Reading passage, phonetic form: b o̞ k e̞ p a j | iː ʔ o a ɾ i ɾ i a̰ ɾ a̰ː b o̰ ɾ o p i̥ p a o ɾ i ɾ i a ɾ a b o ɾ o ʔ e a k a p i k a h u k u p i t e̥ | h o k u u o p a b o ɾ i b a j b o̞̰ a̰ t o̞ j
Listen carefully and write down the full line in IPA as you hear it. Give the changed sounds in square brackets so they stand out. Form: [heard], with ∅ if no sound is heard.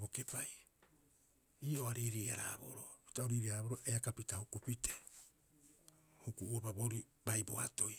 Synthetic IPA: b o̞ k e̞ p a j | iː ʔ o a ɾ i ɾ i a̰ ɾ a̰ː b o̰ ɾ o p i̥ [t] a o ɾ i ɾ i a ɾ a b o ɾ o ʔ e a k a p i [t] a h u k u p i t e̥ | h [u] k u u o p a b o ɾ i b a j b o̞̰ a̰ t o̞ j